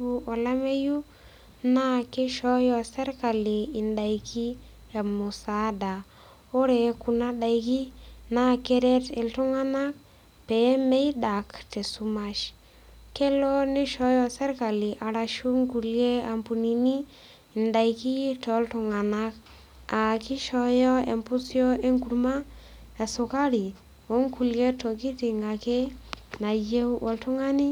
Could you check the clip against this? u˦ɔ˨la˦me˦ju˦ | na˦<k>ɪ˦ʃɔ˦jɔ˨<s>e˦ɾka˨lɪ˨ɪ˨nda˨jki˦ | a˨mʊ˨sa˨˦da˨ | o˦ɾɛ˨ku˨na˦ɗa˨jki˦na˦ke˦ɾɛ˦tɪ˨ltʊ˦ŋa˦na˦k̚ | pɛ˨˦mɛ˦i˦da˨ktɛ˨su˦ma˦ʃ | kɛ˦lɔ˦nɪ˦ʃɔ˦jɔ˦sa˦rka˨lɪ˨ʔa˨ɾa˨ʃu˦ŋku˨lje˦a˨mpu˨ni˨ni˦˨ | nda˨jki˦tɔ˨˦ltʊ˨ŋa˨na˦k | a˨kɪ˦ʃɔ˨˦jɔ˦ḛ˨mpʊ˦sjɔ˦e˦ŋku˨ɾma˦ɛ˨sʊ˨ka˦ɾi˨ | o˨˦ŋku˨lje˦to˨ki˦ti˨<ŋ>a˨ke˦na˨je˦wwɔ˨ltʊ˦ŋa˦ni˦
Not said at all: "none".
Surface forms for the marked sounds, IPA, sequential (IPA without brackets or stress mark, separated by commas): k, s, ŋ